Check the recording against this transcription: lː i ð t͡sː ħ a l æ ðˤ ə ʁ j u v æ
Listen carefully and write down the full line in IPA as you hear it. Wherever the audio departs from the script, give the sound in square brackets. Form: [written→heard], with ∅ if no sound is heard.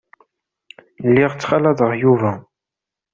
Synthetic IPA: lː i [ð→ʁ] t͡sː [ħ→χ] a l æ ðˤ ə ʁ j u v æ